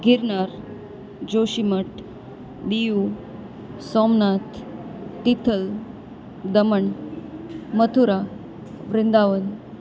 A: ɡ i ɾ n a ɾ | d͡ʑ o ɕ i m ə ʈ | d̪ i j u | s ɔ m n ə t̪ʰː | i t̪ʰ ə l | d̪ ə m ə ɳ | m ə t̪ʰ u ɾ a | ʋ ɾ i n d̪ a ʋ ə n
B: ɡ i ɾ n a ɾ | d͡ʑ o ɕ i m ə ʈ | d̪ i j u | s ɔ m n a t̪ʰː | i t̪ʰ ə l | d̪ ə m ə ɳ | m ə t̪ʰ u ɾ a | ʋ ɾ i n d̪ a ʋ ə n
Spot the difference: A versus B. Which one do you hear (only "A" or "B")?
B